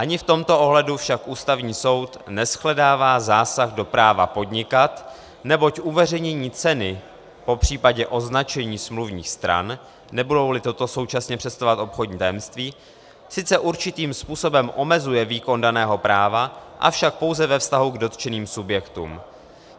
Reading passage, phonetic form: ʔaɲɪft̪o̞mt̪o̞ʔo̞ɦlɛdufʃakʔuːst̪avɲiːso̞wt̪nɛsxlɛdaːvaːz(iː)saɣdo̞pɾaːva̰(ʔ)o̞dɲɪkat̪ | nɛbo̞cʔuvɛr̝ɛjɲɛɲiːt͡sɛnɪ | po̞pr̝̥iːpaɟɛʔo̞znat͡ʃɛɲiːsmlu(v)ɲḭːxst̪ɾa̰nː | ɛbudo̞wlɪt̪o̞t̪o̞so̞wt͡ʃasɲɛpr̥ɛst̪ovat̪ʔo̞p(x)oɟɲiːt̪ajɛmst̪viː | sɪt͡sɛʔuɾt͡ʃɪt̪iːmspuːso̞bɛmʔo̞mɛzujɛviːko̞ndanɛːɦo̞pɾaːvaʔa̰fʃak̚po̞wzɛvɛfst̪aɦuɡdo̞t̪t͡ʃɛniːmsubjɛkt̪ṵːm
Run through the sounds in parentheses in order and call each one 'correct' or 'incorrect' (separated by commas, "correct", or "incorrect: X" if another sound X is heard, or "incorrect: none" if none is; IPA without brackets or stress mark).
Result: incorrect: aː, incorrect: p, correct, correct